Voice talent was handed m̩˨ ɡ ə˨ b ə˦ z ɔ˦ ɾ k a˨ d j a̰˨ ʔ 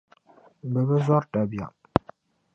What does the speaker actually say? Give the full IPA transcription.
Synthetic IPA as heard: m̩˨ b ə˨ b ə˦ z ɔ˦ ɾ t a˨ b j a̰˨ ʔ

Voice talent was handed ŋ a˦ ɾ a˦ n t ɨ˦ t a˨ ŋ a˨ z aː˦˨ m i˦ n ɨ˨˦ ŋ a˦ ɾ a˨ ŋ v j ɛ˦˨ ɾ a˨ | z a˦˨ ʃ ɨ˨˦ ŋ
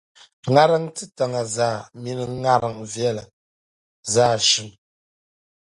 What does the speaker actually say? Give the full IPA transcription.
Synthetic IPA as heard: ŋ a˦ ɾ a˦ ŋ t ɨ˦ t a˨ ŋ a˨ z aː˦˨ m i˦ n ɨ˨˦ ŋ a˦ ɾ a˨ ŋ v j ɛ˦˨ l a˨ | z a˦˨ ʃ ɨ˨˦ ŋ

